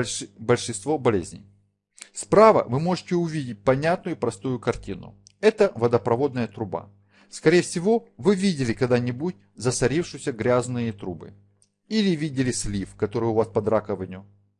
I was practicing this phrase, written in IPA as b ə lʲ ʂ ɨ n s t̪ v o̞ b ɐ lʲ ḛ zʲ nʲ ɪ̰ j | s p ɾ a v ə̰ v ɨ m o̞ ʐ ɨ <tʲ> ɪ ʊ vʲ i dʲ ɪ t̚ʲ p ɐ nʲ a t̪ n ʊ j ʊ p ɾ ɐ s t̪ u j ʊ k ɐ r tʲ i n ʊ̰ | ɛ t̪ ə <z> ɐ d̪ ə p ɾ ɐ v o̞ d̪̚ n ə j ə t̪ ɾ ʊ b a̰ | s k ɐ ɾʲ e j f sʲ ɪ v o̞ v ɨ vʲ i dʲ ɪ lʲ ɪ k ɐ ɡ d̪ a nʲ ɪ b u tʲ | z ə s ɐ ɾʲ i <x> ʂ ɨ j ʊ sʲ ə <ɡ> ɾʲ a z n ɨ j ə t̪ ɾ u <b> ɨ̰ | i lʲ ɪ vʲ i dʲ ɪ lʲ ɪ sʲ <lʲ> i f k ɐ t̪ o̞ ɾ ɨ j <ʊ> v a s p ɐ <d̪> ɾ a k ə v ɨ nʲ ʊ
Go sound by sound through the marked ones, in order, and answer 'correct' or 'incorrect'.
correct, incorrect: v, incorrect: f, correct, correct, correct, correct, correct

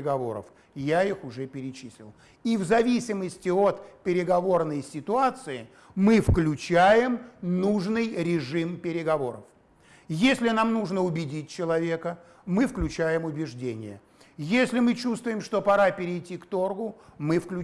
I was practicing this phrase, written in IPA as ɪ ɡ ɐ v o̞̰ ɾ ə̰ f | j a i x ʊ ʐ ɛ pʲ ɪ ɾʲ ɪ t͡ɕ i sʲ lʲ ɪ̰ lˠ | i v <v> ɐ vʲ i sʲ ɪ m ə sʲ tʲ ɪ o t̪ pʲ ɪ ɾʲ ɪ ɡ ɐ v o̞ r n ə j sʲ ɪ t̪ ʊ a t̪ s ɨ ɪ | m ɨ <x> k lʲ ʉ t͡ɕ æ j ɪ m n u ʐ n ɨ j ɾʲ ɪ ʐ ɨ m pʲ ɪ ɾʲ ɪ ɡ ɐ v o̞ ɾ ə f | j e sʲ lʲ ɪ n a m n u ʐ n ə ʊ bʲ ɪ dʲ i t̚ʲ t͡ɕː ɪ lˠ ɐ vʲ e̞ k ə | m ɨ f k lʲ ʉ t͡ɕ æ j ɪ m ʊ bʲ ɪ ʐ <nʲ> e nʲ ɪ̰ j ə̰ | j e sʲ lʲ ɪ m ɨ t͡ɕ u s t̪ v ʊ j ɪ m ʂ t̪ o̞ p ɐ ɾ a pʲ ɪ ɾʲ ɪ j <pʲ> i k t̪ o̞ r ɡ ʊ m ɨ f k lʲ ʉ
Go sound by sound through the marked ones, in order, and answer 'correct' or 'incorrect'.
incorrect: z, incorrect: f, incorrect: dʲ, incorrect: tʲ

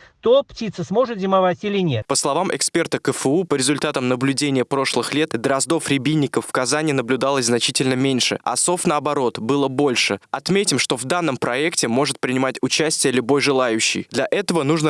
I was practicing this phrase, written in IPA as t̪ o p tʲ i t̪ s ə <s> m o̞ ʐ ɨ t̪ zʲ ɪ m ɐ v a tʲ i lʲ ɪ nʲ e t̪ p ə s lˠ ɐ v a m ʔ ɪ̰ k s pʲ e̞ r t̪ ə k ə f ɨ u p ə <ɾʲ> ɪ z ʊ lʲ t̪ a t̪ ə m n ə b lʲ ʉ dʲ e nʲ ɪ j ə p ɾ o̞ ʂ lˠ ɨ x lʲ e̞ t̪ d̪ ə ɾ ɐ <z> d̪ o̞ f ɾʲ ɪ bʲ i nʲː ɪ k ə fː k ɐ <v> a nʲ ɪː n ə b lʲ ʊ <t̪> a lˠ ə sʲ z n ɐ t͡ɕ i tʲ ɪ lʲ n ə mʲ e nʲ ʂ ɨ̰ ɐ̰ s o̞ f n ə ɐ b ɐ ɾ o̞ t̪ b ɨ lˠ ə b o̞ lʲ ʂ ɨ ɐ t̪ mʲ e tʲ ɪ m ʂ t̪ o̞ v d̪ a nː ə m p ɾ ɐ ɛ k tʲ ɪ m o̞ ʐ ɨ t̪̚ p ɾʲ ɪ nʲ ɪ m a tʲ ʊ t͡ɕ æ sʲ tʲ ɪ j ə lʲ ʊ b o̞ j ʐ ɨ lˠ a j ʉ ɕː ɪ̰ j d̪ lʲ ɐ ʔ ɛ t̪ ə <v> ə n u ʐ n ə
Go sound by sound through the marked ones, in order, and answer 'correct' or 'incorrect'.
correct, correct, correct, incorrect: z, incorrect: d̪, correct

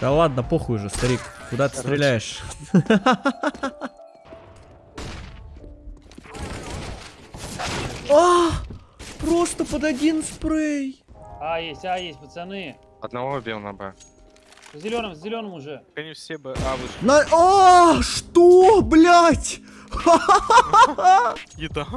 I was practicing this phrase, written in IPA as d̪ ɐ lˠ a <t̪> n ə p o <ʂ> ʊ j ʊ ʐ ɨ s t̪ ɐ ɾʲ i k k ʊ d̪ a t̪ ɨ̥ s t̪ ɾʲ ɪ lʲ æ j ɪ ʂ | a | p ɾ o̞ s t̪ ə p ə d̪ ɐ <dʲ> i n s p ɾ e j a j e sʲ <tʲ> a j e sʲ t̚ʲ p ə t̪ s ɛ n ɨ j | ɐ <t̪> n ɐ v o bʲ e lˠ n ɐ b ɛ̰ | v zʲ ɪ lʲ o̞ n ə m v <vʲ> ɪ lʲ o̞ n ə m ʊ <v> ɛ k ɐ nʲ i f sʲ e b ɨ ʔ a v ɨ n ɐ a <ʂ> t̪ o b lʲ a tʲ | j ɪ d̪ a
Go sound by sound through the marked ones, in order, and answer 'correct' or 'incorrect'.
incorrect: d̪, incorrect: x, correct, correct, incorrect: d̪, incorrect: zʲ, incorrect: ʐ, correct

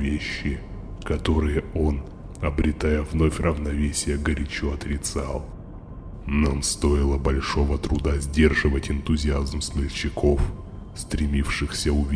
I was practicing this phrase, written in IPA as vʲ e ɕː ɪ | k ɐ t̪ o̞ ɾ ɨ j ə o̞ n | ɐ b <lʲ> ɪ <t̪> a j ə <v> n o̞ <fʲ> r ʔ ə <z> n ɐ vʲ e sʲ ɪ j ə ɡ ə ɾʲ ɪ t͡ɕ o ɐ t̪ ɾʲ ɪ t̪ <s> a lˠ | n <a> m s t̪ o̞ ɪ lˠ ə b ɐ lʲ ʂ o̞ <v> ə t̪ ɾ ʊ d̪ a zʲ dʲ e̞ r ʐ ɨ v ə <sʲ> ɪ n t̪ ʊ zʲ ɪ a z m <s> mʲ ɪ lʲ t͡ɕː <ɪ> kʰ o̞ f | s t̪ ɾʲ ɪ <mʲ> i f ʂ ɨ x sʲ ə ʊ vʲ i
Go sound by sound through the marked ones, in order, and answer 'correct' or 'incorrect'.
incorrect: ɾʲ, correct, correct, correct, incorrect: v, correct, correct, correct, incorrect: tʲ, correct, correct, correct

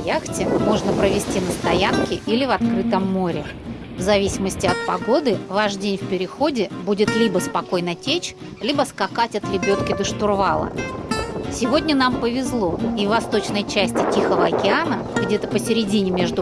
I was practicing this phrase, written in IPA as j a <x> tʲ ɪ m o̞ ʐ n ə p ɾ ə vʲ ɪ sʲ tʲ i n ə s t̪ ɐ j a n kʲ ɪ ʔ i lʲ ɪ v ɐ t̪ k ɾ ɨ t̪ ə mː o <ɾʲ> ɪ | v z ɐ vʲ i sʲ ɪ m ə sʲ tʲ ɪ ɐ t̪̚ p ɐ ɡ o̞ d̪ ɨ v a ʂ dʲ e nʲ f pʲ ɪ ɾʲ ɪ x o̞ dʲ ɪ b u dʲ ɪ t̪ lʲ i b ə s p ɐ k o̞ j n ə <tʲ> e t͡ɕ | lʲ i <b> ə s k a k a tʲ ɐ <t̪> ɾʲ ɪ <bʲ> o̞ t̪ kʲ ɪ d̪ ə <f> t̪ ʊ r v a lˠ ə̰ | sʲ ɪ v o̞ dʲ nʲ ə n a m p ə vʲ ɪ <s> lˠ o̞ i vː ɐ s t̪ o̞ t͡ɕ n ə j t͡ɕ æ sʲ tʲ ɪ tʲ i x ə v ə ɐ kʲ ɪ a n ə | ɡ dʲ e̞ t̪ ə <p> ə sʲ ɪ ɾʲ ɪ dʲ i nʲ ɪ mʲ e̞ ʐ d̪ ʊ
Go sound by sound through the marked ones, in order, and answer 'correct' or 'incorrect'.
correct, correct, correct, correct, correct, correct, incorrect: ʂ, incorrect: z, correct

